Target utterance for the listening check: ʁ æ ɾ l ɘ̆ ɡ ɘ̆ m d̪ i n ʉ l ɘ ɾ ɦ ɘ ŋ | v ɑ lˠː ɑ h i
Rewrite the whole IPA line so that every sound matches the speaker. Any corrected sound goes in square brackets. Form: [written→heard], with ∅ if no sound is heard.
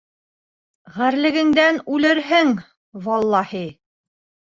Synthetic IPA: ʁ æ ɾ l ɘ̆ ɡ ɘ̆ [m→ŋ] d̪ [i→æ] n ʉ l ɘ ɾ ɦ ɘ ŋ | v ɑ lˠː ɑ h i

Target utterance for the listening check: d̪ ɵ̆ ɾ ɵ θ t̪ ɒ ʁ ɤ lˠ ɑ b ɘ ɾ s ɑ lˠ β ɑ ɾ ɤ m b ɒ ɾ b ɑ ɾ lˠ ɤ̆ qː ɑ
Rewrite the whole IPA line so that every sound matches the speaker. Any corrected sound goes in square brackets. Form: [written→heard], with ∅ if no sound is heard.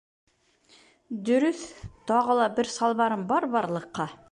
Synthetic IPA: d̪ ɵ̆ ɾ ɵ θ t̪ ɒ ʁ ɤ lˠ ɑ b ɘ ɾ s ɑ lˠ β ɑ ɾ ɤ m b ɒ ɾ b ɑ ɾ lˠ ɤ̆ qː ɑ

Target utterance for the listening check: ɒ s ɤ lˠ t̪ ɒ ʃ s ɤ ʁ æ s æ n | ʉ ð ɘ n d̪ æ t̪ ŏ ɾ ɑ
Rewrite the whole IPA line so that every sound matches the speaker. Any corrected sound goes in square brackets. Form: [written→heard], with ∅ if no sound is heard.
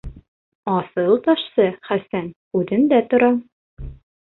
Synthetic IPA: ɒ s ɤ lˠ t̪ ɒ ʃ s ɤ [ʁ→χ] æ s æ n | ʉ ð ɘ n d̪ æ t̪ ŏ ɾ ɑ

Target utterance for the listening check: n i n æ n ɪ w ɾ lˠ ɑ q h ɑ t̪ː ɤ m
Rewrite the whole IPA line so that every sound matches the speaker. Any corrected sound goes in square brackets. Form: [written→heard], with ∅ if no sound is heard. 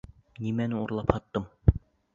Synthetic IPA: n i [n→m] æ n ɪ [w→u] ɾ lˠ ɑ [q→p] h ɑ t̪ː ɤ m

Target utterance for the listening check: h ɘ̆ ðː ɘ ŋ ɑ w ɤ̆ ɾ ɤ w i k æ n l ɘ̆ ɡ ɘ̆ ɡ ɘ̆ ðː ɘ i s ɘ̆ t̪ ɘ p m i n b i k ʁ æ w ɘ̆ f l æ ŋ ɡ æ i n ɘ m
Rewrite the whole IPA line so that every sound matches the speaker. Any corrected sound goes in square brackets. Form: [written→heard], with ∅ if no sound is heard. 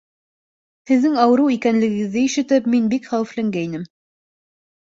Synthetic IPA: h ɘ̆ ðː ɘ ŋ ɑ w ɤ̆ ɾ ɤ w i k æ n l ɘ̆ ɡ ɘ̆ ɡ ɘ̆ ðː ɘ i [s→ʃ] ɘ̆ t̪ ɘ p m i n b i k [ʁ→χ] æ w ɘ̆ f l æ ŋ ɡ æ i n ɘ m

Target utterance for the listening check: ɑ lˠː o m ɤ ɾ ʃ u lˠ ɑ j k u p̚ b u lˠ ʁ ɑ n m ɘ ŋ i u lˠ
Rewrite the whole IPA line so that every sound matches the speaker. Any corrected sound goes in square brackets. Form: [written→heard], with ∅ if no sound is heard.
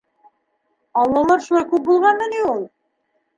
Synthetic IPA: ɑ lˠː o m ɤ ɾ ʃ u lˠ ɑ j k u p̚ b u lˠ ʁ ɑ n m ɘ [ŋ→n] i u lˠ

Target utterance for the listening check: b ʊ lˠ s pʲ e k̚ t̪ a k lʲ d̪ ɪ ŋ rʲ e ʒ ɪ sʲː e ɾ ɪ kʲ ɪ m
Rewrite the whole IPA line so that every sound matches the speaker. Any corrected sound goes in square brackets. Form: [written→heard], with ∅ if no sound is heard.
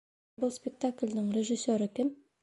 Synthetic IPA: b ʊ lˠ s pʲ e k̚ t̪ a k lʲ d̪ ɪ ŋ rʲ e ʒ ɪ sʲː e ɾ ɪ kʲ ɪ m

